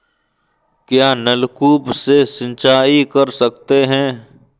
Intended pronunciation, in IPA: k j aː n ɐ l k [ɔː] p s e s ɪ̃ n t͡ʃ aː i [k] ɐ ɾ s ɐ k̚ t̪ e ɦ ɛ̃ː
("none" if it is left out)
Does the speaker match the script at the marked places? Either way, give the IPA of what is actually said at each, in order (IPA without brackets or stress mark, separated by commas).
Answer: uː, k